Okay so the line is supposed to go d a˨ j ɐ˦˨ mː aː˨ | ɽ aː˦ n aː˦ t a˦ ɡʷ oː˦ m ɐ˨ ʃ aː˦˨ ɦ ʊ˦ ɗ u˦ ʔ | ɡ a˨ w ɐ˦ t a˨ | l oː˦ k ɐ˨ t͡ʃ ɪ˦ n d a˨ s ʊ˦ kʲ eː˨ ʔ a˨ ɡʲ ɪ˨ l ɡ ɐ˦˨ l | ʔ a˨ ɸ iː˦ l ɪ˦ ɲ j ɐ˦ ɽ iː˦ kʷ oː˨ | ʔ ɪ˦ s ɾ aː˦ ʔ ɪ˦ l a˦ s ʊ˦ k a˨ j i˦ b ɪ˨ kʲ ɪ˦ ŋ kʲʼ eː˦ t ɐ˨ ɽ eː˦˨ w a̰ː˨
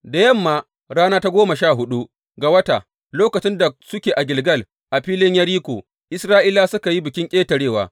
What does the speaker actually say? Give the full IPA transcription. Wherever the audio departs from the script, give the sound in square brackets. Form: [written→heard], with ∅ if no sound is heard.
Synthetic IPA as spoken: d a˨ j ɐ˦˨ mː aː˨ | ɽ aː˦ n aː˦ t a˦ ɡʷ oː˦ m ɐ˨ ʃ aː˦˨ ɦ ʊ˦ ɗ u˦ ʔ | ɡ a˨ w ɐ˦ t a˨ | l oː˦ k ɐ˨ t͡ʃ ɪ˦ n d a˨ s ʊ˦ kʲ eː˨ ʔ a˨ ɡʲ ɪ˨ l ɡ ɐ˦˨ l | ʔ a˨ ɸ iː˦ l ɪ˦ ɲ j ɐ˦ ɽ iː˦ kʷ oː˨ | ʔ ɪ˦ s ɾ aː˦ ʔ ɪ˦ l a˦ s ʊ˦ k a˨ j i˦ b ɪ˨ kʲ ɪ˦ ŋ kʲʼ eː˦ t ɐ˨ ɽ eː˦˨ w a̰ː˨